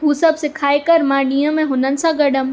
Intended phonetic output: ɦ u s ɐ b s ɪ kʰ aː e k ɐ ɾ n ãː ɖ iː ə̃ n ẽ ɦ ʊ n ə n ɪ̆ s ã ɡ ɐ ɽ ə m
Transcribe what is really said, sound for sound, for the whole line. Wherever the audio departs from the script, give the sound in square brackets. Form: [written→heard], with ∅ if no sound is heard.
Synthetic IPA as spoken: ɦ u s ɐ b s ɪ kʰ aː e k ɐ ɾ [n→m] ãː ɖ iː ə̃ [n→m] ẽ ɦ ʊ n ə n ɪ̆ s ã ɡ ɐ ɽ ə m

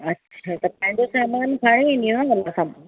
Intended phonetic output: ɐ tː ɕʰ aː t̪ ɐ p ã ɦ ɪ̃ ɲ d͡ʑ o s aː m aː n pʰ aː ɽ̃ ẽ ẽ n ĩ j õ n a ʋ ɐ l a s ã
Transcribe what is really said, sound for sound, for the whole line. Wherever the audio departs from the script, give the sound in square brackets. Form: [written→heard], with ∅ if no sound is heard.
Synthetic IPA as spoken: ɐ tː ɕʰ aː t̪ ɐ p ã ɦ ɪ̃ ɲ d͡ʑ o s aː m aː n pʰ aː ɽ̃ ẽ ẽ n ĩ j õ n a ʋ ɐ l a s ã

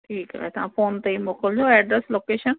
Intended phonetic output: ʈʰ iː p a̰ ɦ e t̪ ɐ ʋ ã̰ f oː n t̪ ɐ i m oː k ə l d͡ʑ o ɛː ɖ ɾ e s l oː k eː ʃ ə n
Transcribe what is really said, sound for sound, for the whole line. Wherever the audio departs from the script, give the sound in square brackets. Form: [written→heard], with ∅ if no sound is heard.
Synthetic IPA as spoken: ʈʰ iː [p→k] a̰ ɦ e t̪ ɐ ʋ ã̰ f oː n t̪ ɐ i m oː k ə l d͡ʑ o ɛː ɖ ɾ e s l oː k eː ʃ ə n

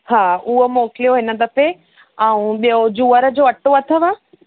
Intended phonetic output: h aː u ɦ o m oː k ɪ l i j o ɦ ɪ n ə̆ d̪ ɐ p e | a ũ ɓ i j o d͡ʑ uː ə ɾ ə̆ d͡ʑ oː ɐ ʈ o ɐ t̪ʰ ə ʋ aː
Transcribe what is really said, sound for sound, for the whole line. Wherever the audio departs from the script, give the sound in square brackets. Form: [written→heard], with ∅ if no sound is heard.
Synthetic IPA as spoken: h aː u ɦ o m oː k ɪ l i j o ɦ ɪ n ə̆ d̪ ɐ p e | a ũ ɓ i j o d͡ʑ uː ə ɾ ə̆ d͡ʑ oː ɐ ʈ o ɐ t̪ʰ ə ʋ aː

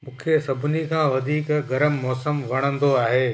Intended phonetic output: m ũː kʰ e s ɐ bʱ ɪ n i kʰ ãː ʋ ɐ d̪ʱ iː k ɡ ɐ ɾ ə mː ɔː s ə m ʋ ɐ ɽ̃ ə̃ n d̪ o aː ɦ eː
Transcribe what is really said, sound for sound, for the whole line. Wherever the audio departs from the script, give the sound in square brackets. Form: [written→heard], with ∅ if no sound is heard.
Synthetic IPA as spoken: m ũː kʰ e s ɐ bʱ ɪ n i kʰ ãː ʋ ɐ d̪ʱ iː k ɡ ɐ ɾ ə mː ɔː s ə m ʋ ɐ ɽ̃ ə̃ n d̪ o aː ɦ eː

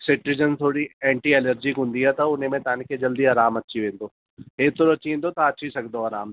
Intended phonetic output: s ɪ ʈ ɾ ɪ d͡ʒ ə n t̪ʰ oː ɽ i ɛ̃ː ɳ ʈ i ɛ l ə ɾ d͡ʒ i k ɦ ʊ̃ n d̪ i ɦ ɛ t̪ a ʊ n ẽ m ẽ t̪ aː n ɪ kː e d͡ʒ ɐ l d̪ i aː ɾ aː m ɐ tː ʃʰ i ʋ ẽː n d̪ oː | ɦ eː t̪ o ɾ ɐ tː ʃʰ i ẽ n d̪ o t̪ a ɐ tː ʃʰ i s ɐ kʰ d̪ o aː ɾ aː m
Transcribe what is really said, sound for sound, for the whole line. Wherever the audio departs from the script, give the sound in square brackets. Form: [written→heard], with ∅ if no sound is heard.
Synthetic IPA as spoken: s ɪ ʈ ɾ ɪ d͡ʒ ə n t̪ʰ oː ɽ i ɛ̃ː ɳ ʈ i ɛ l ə ɾ d͡ʒ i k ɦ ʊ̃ n d̪ i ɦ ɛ t̪ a ʊ n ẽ m ẽ t̪ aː n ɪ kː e d͡ʒ ɐ l d̪ i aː ɾ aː m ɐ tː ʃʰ i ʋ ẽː n d̪ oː | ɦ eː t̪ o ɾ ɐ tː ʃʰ i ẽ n d̪ o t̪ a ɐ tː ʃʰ i s ɐ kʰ d̪ o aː ɾ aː m

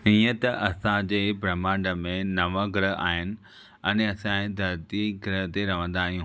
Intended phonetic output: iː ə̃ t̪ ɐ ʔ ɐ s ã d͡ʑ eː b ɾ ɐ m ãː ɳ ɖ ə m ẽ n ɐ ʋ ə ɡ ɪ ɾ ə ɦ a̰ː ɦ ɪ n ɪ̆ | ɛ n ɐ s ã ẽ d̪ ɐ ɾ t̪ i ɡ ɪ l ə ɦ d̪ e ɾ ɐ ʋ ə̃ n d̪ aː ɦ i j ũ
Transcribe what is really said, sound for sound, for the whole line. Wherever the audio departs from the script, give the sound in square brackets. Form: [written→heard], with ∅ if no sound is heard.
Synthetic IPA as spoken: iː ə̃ t̪ ɐ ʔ ɐ s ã d͡ʑ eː b ɾ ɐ m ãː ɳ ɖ ə m ẽ n ɐ ʋ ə ɡ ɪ ɾ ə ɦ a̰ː ɦ ɪ n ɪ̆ | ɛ n ɐ s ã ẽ d̪ ɐ ɾ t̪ i ɡ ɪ [l→ɾ] ə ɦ [d̪→t̪] e ɾ ɐ ʋ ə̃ n d̪ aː ɦ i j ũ

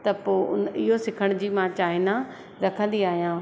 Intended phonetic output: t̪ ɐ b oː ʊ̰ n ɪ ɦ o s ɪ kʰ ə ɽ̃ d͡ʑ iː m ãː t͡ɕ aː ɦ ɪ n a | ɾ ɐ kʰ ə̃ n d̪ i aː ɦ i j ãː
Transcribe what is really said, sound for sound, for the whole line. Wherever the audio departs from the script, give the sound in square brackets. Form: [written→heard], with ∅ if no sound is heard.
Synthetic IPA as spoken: t̪ ɐ [b→p] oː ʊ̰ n ɪ ɦ o s ɪ kʰ ə ɽ̃ d͡ʑ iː m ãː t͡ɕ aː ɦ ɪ n a | ɾ ɐ kʰ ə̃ n d̪ i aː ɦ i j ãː

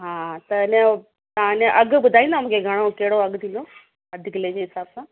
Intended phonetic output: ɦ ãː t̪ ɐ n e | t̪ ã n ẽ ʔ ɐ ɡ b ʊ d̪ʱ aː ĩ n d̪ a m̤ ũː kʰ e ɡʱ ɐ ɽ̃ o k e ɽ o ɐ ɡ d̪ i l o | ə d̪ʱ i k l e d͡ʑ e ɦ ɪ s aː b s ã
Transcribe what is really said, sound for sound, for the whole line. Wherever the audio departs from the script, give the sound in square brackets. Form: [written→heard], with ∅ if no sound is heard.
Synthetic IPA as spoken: ɦ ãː t̪ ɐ n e | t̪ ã n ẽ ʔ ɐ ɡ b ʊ d̪ʱ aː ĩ n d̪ a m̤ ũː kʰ e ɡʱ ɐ ɽ̃ o k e ɽ o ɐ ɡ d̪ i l o | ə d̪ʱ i k l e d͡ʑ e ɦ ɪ s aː b s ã

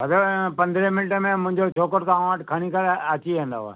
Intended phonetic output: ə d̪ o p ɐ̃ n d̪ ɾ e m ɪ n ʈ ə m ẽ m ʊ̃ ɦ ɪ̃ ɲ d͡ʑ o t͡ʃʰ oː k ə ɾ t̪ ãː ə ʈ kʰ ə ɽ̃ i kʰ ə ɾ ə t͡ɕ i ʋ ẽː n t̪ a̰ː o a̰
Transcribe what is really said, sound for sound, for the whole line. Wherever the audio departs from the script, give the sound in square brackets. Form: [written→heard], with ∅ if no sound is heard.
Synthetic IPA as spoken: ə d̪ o p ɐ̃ n d̪ ɾ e m ɪ n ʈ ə m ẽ m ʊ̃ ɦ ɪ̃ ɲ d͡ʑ o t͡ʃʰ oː k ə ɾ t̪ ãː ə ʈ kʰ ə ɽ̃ i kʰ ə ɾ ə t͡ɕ i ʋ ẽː n [t̪→d̪] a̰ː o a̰

